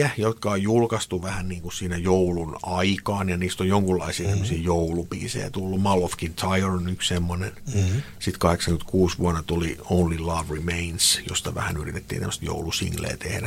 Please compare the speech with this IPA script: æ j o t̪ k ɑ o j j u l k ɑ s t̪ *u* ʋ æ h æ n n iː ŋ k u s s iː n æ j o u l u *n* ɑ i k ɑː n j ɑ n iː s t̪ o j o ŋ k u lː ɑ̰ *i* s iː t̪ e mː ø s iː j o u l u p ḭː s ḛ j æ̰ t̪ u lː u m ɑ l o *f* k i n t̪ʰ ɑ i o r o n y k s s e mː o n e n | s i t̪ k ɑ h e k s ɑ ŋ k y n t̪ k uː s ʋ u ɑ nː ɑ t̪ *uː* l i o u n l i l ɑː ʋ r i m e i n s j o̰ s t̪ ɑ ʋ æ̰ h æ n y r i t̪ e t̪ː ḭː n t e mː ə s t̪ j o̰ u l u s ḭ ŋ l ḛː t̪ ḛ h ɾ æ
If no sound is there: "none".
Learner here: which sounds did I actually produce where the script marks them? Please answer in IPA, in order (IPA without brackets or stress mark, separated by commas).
u, n, i, f, u